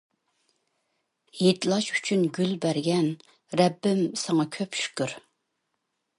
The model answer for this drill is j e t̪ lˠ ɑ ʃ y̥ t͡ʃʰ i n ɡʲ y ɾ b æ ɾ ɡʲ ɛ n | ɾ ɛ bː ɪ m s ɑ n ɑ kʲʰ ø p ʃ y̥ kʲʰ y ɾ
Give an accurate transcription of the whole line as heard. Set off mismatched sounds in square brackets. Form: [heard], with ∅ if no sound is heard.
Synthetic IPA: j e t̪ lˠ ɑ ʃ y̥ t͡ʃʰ [y] n ɡʲ y [l] b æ ɾ ɡʲ ɛ n | ɾ ɛ bː ɪ m s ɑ [ŋ] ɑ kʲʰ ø p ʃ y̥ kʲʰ y ɾ